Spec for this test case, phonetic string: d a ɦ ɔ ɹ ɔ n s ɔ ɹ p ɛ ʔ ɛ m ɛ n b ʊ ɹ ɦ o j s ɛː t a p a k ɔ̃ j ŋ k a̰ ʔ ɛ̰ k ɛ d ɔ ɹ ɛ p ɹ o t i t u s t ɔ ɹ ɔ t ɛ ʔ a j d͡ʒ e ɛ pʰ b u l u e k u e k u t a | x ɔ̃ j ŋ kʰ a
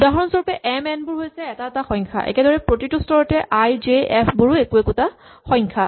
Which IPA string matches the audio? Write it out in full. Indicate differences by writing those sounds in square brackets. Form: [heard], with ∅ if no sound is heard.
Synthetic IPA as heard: d a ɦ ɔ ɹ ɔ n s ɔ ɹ p ɛ ʔ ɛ m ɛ n b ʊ ɹ ɦ o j s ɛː t a [t] a [x] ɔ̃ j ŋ [kʰ] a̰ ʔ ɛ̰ k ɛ d ɔ ɹ ɛ p ɹ o t i t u s t ɔ ɹ ɔ t ɛ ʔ a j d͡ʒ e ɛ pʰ b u [ɹ] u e k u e k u t a | x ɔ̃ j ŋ kʰ a